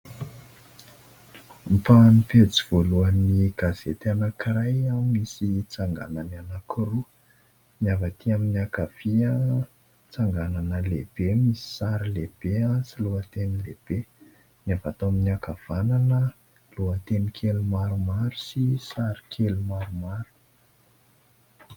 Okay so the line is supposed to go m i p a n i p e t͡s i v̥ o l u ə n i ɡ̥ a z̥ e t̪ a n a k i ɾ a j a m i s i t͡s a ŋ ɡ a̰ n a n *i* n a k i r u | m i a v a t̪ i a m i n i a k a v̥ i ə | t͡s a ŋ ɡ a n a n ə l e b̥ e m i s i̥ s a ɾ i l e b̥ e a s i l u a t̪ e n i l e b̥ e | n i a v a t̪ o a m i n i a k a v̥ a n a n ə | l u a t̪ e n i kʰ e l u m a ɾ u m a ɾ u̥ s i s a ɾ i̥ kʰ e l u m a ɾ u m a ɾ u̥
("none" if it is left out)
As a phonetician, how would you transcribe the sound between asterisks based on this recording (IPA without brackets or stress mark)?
a